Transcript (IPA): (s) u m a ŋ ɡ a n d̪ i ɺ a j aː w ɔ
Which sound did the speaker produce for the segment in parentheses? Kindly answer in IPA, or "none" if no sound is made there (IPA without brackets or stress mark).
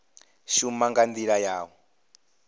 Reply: ʃ